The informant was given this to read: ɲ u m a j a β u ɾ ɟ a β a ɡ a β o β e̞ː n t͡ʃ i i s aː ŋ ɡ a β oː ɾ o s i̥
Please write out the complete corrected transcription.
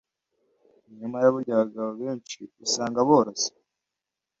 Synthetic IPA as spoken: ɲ u m a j a β u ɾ ɟ a β a ɡ a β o β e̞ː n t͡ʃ i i s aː ŋ ɡ a β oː ɾ o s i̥